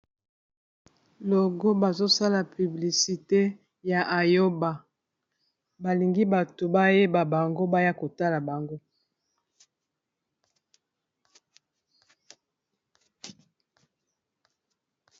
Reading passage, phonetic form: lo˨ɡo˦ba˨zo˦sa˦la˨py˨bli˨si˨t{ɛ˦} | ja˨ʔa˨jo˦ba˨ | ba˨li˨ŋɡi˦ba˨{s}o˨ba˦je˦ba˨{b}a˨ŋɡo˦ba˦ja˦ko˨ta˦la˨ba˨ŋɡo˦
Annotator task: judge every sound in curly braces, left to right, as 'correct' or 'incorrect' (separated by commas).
incorrect, incorrect, correct